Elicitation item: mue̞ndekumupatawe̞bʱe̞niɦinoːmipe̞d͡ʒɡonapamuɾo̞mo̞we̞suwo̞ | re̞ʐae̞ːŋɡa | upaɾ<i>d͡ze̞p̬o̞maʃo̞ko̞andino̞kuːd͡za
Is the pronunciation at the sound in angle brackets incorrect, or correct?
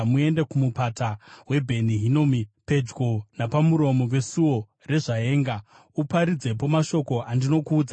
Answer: correct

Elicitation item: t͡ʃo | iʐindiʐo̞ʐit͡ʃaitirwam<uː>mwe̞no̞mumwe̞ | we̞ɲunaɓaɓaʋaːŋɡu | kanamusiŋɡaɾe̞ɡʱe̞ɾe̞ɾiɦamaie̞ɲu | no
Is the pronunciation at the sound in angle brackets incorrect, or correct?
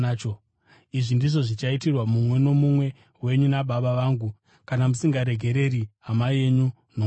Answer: incorrect: u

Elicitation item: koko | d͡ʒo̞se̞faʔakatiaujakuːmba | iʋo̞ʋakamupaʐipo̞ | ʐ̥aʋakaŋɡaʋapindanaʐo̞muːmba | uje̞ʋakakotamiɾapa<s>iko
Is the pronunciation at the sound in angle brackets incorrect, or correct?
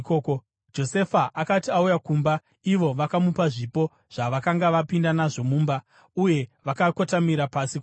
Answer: correct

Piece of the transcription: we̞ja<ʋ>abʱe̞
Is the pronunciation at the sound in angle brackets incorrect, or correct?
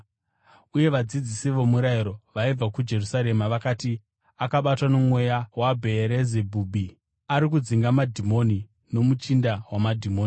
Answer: incorrect: w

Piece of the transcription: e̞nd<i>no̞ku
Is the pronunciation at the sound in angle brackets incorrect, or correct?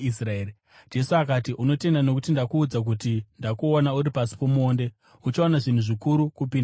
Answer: incorrect: a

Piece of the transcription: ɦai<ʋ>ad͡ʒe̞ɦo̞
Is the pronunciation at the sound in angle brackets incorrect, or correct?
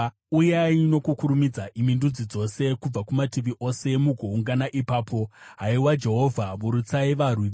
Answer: incorrect: w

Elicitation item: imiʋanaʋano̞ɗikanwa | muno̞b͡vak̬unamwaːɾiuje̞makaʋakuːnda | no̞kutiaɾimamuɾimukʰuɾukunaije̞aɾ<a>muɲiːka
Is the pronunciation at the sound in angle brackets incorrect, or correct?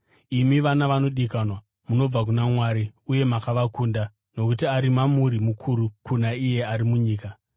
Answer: incorrect: i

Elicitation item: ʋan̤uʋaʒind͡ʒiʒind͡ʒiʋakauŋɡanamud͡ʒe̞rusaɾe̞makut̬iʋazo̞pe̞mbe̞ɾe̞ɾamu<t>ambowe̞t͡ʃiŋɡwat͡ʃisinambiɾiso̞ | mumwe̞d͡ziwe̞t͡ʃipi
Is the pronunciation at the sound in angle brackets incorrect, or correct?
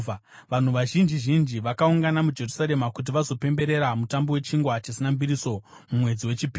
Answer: correct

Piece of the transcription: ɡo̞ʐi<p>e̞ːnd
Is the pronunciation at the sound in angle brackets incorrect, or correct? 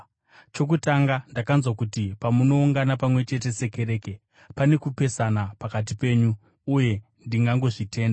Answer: incorrect: t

